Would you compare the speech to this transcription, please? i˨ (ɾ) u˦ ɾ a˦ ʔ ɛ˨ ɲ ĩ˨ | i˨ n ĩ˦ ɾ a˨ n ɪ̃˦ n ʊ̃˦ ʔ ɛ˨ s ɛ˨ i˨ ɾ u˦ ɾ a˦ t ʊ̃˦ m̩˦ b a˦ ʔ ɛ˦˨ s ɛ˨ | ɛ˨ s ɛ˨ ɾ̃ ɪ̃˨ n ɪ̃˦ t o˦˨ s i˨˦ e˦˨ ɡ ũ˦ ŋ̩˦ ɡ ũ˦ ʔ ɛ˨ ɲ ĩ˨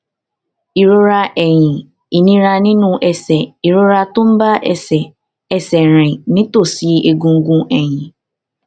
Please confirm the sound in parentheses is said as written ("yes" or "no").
yes